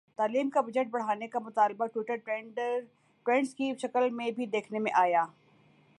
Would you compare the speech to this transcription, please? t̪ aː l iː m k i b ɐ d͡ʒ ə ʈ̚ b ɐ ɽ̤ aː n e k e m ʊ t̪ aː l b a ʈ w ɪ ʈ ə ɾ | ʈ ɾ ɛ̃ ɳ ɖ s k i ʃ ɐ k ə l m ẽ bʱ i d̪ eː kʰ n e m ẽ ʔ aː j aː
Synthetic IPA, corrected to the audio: t̪ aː l iː m k a b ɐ d͡ʒ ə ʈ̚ b ɐ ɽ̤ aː n e k a m ʊ t̪ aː l b a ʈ w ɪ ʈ ə ɾ | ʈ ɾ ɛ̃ ɳ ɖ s k i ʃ ɐ k ə l m ẽ bʱ i d̪ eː kʰ n e m ẽ ʔ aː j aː